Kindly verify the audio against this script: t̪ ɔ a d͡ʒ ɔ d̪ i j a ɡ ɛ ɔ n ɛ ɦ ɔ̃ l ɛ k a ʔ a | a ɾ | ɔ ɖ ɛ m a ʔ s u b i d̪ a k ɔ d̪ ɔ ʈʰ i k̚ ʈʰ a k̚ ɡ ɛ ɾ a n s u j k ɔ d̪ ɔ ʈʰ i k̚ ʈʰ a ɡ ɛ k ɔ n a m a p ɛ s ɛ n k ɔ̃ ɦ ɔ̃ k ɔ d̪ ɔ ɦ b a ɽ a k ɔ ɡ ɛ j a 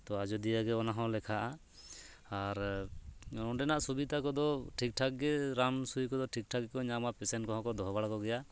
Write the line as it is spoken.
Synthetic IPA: t̪ ɔ a d͡ʒ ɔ d̪ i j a ɡ ɛ ɔ n a ɦ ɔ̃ l ɛ kʰ a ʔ a | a ɾ | ɔ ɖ ɛ n a ʔ s u b i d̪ a k ɔ d̪ ɔ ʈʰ i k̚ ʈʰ a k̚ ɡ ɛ ɾ a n s u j k ɔ d̪ ɔ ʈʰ i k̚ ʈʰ a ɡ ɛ k ɔ ɲ a m a p ɛ s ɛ n k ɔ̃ ɦ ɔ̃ k ɔ d̪ ɔ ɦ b a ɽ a k ɔ ɡ ɛ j a